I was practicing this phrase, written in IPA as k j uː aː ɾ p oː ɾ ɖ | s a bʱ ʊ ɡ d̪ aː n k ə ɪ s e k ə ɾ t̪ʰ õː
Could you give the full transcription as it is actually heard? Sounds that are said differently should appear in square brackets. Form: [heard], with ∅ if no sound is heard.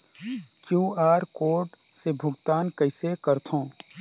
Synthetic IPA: k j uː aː ɾ [k] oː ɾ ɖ | s [e] bʱ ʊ ɡ [t̪] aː n k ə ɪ s e k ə ɾ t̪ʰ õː